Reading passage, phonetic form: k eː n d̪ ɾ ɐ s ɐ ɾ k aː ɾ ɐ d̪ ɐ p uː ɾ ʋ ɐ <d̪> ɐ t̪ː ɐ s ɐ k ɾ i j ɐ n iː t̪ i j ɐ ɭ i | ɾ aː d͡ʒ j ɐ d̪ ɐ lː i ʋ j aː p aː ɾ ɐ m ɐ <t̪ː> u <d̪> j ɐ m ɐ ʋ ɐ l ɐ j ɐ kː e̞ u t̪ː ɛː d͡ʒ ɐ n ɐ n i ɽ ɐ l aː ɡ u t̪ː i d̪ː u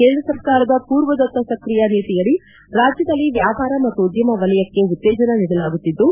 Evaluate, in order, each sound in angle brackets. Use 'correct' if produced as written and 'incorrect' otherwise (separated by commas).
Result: correct, correct, correct